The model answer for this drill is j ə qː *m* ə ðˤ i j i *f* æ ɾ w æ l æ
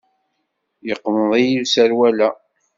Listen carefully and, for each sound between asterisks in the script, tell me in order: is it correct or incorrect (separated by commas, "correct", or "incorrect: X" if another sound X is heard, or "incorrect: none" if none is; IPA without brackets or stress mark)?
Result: correct, incorrect: s